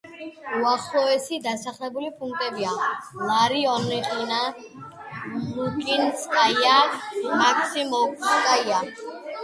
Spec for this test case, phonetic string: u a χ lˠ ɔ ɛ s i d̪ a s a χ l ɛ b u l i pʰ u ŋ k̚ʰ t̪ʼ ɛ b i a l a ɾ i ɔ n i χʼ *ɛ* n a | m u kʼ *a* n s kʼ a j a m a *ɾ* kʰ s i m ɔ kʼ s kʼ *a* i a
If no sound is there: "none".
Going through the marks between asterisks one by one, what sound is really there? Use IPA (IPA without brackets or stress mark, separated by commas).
i, i, none, a